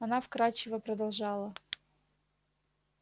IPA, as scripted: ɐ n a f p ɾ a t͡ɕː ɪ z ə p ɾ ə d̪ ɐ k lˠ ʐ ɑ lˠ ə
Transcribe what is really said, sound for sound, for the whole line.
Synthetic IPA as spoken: ɐ n a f k ɾ a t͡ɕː ɪ v ə p ɾ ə d̪ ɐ lˠ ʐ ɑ lˠ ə